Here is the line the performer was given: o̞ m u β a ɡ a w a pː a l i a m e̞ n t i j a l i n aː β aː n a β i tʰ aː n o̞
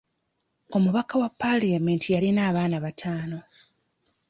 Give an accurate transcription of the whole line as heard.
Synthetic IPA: o̞ m u β a k a w a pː a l i a m e̞ n t i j a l i n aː β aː n a β a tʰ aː n o̞

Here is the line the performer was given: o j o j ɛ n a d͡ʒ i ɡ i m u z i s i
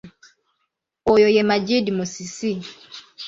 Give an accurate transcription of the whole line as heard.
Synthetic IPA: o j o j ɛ m a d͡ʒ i d i m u s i s i

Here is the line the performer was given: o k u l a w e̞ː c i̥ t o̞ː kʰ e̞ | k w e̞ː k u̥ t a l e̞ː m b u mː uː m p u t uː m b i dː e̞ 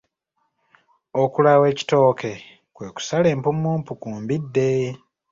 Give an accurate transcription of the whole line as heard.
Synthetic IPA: o k u l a w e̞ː c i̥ t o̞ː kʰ e̞ | k w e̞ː k u̥ s a l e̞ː m p u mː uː m p u k uː m b i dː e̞

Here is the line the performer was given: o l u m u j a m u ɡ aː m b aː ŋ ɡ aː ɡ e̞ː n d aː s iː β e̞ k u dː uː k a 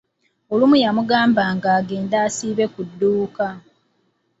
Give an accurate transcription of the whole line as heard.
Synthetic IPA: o l u m u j a m u ɡ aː m b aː ŋ ɡ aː ɡ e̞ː n d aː s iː β e̞ k u dː uː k a

